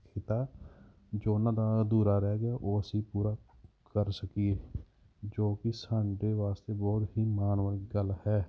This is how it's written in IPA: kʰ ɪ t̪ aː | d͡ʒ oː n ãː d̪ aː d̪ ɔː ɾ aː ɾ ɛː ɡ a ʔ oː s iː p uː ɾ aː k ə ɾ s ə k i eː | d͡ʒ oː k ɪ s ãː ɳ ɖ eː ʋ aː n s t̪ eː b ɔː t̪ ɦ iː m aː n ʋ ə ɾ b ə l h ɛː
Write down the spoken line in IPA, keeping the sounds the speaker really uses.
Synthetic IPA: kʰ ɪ t̪ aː | d͡ʒ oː n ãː d̪ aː d̪ uː ɾ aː ɾ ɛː ɡ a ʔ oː s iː p uː ɾ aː k ə ɾ s ə k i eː | d͡ʒ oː k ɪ s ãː ɳ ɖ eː ʋ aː s t̪ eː b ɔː t̪ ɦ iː m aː n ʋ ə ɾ ɡ ə l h ɛː